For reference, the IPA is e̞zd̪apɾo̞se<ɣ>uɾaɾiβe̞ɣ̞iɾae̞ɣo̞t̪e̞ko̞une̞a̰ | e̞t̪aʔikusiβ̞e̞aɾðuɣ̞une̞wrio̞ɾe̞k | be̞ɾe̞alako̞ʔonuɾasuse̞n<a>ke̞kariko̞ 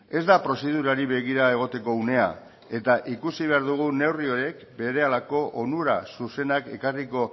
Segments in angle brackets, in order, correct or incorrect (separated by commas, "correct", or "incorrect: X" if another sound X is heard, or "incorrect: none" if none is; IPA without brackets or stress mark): incorrect: ð, correct